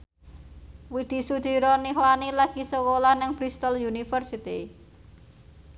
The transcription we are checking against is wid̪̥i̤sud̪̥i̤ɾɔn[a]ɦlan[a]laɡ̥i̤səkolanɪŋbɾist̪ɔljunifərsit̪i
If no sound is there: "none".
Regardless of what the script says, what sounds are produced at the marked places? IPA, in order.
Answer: i, i

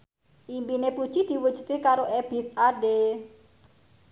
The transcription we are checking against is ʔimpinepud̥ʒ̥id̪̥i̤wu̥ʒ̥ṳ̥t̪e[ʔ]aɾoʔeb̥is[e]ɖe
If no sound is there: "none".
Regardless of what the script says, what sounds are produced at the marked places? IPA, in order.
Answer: k, a

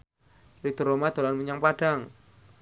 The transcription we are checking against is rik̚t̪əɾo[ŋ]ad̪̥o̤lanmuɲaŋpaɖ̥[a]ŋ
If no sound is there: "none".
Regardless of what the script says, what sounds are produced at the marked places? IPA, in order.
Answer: m, a

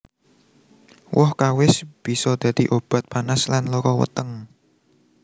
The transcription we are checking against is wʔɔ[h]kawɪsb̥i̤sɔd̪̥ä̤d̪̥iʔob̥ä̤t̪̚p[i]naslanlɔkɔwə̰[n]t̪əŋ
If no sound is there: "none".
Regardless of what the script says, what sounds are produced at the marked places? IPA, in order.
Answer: h, a, none

